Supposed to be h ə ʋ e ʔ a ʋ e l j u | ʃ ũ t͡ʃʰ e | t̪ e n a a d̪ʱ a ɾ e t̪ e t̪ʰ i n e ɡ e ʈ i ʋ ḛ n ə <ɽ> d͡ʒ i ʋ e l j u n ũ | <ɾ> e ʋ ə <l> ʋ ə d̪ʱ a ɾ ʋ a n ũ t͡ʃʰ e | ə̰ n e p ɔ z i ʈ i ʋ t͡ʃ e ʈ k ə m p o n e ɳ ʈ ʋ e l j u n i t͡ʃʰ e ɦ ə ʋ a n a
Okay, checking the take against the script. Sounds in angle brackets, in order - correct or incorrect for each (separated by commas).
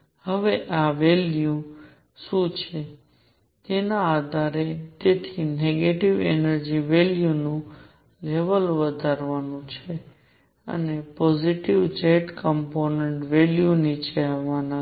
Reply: incorrect, incorrect, correct